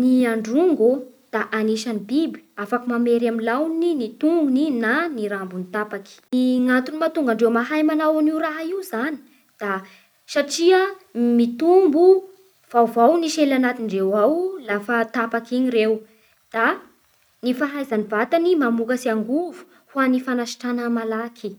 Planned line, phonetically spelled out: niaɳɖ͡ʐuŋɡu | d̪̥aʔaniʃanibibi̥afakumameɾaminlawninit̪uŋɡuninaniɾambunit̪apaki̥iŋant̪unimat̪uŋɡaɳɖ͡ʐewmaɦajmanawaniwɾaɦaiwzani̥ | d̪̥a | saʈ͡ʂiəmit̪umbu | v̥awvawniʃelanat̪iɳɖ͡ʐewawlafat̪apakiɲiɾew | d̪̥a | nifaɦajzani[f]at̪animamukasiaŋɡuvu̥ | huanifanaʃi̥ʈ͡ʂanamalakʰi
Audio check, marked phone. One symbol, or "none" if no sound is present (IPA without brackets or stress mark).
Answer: v